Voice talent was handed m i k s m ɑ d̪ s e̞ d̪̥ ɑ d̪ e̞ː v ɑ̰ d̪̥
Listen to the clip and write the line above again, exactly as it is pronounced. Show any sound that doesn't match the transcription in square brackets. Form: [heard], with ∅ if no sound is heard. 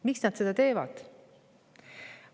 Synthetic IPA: m i k s [n] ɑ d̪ s e̞ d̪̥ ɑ [t̪] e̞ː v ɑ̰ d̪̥